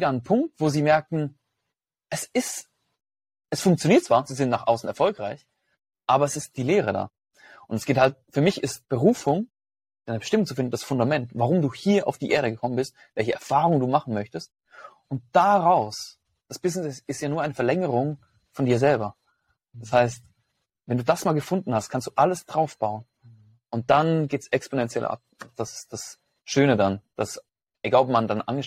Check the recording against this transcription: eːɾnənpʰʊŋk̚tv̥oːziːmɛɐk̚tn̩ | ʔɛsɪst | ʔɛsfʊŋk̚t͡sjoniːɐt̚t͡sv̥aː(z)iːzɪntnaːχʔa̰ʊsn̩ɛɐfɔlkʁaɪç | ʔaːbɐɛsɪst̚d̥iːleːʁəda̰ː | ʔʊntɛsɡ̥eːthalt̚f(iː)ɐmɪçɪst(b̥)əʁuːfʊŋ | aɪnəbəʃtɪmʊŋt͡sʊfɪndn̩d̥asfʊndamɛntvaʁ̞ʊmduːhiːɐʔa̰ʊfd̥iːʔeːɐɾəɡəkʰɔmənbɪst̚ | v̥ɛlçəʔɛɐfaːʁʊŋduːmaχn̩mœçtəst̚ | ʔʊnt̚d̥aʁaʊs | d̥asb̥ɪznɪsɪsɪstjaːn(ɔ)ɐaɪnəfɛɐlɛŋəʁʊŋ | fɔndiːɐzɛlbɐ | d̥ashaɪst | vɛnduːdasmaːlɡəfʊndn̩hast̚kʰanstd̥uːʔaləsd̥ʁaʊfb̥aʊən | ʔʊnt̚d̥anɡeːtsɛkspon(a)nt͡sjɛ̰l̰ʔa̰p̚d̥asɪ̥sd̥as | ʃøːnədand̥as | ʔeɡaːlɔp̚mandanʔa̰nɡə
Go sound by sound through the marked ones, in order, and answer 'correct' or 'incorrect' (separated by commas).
correct, incorrect, correct, incorrect, incorrect